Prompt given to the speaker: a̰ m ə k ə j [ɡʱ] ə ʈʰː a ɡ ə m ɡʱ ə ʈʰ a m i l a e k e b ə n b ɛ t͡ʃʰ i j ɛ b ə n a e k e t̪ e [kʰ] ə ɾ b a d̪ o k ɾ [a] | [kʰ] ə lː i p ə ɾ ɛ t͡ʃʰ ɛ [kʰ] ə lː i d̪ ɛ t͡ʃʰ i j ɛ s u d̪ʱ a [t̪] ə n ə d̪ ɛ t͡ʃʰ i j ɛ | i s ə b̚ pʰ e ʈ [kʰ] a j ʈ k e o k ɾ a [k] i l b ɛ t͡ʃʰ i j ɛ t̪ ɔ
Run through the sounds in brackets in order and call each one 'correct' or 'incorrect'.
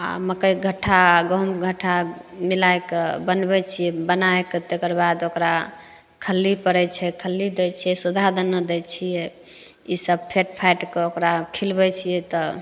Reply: correct, incorrect: k, correct, correct, correct, incorrect: d̪, incorrect: pʰ, incorrect: kʰ

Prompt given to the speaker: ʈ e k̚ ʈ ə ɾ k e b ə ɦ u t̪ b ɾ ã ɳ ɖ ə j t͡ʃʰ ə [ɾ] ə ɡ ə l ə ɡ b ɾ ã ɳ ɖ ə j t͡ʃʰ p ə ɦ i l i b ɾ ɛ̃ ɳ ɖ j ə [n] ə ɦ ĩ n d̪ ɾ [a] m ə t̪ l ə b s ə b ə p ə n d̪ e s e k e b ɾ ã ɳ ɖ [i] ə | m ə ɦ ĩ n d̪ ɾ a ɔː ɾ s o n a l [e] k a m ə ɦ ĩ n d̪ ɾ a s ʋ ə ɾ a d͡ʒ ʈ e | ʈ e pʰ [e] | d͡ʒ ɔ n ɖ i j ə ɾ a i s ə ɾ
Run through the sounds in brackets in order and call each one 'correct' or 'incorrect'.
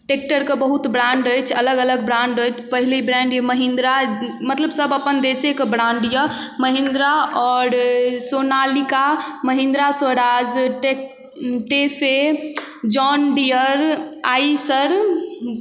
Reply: incorrect: l, incorrect: m, correct, incorrect: j, incorrect: i, correct

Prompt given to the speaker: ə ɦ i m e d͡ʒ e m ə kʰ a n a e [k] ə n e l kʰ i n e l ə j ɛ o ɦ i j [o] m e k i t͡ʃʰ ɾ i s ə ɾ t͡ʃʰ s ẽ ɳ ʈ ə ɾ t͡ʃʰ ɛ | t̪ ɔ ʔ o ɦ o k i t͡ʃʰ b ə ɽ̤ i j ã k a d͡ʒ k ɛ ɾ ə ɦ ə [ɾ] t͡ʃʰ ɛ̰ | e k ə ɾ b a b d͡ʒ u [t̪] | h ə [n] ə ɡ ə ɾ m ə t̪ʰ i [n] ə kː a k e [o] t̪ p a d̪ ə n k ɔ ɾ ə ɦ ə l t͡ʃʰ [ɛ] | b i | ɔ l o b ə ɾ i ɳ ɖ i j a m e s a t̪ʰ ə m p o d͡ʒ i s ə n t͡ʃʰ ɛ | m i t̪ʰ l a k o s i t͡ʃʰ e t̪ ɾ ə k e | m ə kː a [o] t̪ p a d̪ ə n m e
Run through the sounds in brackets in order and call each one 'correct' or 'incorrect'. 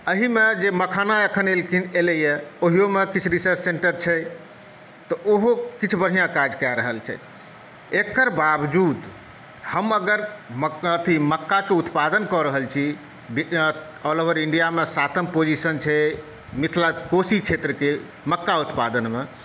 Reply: incorrect: kʰ, correct, incorrect: l, incorrect: d̪, incorrect: m, incorrect: m, incorrect: u, incorrect: i, incorrect: u

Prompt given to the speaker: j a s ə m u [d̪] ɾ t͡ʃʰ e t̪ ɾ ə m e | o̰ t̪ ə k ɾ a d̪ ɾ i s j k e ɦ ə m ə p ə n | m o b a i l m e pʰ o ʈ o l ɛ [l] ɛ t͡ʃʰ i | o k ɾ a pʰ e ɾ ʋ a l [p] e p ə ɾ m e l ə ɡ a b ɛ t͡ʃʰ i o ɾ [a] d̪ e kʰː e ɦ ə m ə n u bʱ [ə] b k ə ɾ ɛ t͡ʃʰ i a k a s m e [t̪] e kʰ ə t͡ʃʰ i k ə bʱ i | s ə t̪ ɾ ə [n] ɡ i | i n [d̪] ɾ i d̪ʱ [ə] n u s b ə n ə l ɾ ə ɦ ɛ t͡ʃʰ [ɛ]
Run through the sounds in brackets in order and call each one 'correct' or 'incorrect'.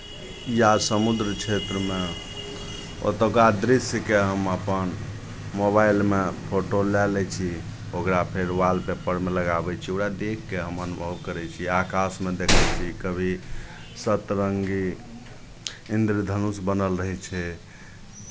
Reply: correct, correct, correct, correct, correct, incorrect: d̪, incorrect: ŋ, correct, correct, correct

